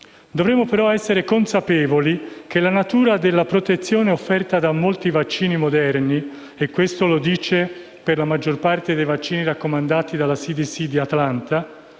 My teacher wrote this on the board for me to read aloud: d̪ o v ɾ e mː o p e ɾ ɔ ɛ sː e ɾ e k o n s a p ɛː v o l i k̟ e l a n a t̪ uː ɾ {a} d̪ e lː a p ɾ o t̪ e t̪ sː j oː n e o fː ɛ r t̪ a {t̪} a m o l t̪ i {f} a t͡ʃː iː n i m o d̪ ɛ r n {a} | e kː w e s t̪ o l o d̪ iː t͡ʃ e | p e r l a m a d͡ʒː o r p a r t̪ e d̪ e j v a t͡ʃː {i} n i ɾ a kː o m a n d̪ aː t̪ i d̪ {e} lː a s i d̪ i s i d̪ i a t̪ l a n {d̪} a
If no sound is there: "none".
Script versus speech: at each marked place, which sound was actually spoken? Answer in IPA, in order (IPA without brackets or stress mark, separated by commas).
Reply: a, d̪, v, i, iː, a, t̪